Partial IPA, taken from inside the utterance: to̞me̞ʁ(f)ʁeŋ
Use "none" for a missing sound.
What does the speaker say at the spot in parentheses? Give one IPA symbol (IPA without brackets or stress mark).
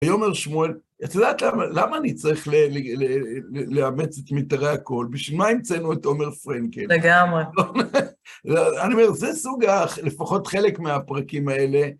f